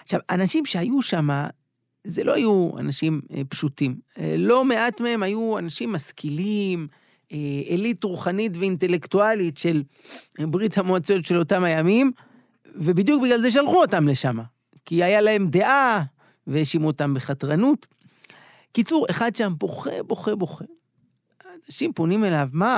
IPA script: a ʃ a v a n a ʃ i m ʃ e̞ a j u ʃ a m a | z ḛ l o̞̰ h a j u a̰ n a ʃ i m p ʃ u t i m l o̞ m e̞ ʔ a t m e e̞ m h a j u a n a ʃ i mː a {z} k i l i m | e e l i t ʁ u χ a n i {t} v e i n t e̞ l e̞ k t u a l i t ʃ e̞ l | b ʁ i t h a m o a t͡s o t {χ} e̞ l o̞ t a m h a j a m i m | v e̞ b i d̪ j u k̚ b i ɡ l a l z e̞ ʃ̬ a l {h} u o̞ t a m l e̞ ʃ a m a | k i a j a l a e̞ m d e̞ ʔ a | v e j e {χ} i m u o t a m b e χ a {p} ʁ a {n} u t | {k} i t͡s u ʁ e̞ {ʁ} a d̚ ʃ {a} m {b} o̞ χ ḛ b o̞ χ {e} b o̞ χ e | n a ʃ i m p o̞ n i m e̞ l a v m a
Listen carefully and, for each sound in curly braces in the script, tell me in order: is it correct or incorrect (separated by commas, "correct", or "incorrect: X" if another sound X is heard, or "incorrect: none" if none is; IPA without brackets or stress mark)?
incorrect: s, correct, incorrect: ʃ, incorrect: χ, incorrect: ʃ, incorrect: t, correct, correct, incorrect: χ, correct, correct, correct